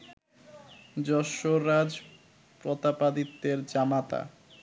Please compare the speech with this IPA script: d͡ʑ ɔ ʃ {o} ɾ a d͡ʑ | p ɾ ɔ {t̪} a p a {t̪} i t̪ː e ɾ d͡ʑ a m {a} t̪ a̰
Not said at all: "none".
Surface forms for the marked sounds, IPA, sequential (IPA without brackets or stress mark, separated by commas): o, t̪, d̪, a